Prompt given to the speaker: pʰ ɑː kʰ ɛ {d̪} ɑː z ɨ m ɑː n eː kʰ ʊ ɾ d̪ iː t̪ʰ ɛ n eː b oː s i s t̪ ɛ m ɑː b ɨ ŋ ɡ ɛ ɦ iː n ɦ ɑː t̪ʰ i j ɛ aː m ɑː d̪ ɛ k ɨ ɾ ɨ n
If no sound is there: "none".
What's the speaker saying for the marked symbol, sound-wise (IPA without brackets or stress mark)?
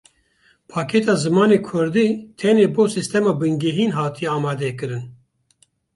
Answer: t̪